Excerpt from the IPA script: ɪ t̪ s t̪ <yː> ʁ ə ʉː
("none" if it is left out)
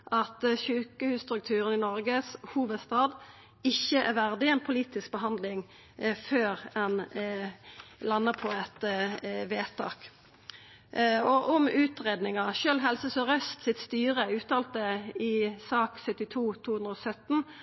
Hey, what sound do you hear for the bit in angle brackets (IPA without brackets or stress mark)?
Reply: yː